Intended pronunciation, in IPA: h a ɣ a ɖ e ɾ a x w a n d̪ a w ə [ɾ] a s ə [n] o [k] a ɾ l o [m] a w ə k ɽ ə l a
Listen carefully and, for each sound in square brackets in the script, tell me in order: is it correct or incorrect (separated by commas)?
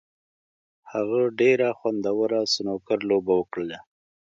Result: correct, correct, correct, incorrect